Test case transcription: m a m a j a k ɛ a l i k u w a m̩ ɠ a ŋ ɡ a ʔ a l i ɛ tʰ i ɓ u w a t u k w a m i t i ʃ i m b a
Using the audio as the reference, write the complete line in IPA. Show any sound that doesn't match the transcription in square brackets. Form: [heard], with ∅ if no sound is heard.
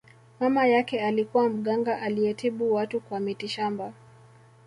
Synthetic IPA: m a m a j a k ɛ a l i k u w a m̩ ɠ a ŋ ɡ a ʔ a l i ɛ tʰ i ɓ u w a t u k w a m i t i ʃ [a] m b a